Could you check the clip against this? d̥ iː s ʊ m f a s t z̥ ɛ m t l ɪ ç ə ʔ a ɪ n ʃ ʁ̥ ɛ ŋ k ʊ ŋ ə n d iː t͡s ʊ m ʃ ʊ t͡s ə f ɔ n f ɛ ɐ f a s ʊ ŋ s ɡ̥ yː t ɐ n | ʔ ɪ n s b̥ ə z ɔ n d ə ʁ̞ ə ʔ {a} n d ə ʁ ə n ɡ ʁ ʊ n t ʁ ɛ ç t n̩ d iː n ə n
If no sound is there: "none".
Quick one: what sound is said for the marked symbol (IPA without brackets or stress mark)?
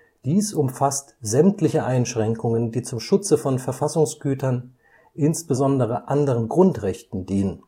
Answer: a